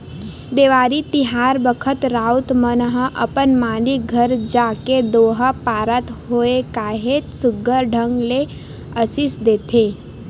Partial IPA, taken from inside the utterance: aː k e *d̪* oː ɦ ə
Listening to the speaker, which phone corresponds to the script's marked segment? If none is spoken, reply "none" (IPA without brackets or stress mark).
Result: d̪